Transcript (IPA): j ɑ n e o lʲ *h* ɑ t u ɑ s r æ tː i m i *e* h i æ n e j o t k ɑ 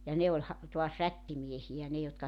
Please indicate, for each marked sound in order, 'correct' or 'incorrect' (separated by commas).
correct, correct